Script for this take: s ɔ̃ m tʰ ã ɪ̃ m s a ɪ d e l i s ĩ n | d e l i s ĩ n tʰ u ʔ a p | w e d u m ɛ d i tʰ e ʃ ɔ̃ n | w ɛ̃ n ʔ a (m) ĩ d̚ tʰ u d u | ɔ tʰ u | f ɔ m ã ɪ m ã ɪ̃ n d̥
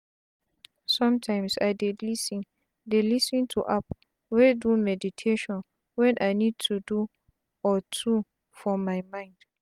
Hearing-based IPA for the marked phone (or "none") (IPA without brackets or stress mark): n